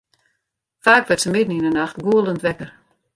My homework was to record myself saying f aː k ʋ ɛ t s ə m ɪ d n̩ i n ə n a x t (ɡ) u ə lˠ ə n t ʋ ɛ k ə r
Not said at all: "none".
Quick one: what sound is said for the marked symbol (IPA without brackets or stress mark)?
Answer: ɡ